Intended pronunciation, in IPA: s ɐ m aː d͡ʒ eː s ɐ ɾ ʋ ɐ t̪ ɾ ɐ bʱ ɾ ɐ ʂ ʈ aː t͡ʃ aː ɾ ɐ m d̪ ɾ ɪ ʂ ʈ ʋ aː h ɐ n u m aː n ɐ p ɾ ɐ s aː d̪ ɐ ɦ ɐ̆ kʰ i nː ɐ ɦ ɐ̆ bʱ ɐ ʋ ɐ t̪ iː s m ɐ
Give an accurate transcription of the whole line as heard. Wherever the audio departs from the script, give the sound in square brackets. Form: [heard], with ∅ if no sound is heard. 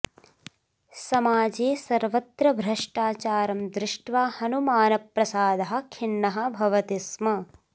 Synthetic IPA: s ɐ m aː d͡ʒ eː s ɐ ɾ ʋ ɐ t̪ ɾ ɐ bʱ ɾ ɐ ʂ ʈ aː t͡ʃ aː ɾ ɐ m d̪ ɾ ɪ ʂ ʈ ʋ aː h ɐ n u m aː n ɐ p ɾ ɐ s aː d̪ ɐ ɦ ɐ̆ kʰ i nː ɐ ɦ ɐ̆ bʱ ɐ ʋ ɐ t̪ [i] s m ɐ